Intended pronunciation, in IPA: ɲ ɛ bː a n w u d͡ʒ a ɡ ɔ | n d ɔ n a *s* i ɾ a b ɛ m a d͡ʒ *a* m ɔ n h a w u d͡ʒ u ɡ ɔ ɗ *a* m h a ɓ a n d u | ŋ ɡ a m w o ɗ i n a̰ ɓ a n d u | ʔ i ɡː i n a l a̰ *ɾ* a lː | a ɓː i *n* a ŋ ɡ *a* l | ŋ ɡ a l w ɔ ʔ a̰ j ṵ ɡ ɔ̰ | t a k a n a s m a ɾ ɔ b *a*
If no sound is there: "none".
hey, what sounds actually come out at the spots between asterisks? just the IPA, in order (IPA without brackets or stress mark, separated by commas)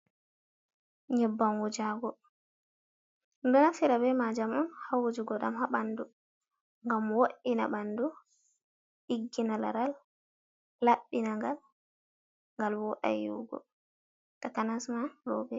f, a, a, ɾ, n, a, ɛ